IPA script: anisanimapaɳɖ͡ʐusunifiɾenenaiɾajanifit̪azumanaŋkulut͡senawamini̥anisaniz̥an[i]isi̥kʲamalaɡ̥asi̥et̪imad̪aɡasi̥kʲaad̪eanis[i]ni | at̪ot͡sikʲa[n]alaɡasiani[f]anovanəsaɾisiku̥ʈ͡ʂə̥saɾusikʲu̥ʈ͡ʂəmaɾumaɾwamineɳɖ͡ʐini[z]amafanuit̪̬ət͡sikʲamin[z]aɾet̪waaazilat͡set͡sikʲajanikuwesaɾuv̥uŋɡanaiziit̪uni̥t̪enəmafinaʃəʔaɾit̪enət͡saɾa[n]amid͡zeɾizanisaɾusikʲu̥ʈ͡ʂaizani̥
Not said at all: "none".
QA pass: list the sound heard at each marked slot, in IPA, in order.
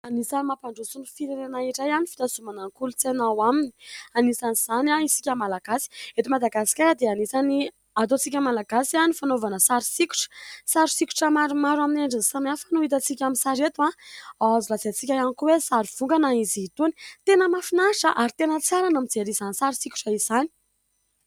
a, a, m, f, s, s, n

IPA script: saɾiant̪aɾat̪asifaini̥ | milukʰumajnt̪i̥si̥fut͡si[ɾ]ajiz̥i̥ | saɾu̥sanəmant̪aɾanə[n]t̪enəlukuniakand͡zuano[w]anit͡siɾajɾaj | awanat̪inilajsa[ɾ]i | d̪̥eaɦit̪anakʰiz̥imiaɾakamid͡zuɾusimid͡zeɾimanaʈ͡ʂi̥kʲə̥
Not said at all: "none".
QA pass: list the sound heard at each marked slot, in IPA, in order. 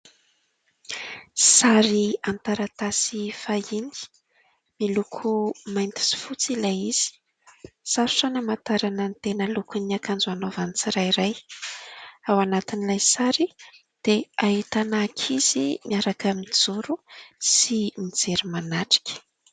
l, n, v, ɾ

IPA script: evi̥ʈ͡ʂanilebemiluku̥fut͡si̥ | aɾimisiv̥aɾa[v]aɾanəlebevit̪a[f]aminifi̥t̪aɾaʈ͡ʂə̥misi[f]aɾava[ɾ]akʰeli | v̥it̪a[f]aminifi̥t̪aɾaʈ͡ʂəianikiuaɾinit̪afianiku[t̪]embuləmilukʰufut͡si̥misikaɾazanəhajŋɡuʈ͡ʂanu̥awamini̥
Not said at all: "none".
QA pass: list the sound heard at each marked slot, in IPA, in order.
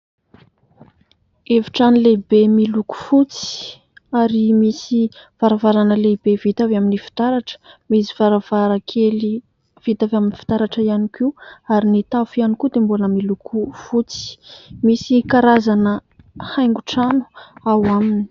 v, v, v, ɾ, v, d̪

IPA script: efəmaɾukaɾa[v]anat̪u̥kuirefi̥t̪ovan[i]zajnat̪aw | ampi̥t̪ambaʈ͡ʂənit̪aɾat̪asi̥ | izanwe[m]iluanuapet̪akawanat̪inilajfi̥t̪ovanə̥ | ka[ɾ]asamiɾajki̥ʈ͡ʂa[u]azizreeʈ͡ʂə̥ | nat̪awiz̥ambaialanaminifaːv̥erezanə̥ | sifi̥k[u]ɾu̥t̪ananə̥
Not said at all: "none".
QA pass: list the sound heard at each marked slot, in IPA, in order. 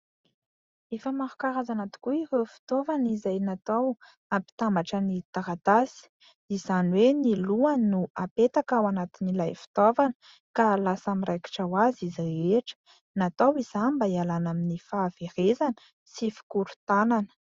z, i, n, l, w, u

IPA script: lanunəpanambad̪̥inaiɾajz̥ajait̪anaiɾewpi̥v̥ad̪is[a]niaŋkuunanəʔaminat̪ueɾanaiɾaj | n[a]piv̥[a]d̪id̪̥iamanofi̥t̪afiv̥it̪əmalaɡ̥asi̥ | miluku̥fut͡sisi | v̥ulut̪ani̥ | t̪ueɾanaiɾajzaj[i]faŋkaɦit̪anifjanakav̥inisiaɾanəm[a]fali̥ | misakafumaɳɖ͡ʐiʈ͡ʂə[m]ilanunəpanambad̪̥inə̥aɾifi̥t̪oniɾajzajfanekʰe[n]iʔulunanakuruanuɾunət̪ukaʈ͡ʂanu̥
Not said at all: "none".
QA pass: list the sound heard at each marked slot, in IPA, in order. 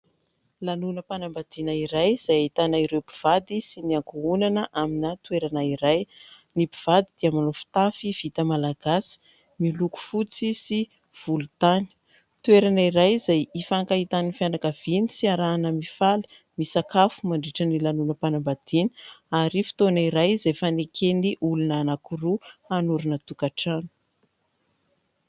i, i, a, i, i, n, n

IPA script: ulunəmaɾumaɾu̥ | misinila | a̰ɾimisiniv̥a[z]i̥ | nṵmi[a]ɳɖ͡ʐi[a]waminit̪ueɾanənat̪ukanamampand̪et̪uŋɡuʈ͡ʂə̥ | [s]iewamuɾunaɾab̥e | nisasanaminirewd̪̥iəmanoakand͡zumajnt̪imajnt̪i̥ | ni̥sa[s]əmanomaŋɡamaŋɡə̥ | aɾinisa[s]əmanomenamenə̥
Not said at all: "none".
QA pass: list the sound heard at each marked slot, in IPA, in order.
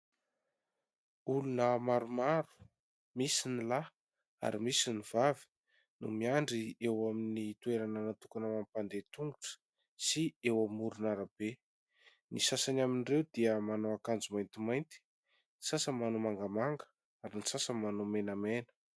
v, a, e, s, s, s

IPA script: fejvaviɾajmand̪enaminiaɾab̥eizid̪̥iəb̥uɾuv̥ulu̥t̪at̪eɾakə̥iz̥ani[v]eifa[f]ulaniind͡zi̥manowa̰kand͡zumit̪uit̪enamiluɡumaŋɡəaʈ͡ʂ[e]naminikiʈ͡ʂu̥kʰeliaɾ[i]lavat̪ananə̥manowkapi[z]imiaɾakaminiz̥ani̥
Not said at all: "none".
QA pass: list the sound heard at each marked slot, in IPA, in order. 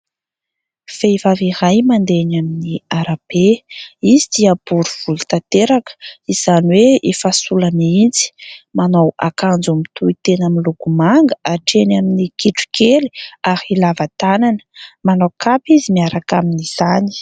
w, s, e, i, z

